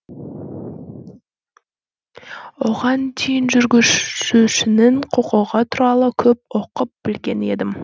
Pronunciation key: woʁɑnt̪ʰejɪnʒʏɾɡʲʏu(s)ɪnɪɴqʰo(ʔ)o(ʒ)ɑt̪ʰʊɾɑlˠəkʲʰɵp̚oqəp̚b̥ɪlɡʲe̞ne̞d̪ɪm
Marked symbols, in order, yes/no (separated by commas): no, no, no